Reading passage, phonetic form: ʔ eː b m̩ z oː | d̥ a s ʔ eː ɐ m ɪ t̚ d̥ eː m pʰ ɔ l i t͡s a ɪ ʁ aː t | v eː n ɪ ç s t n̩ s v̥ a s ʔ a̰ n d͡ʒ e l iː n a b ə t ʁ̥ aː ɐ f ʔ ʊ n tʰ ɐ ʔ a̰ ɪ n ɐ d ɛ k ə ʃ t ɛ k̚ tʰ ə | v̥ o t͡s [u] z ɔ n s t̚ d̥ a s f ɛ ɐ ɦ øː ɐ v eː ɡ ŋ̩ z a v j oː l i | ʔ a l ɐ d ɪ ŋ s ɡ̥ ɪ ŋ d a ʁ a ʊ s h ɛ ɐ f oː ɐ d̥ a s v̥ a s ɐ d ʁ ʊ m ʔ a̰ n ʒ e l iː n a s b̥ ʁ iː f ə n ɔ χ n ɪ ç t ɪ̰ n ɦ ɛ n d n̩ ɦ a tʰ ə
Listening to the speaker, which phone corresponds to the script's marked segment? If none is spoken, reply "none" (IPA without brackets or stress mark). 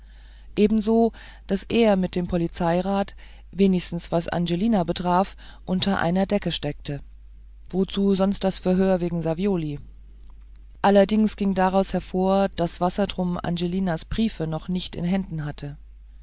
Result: uː